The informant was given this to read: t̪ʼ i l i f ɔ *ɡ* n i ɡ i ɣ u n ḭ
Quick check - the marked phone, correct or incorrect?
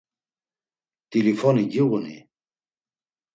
incorrect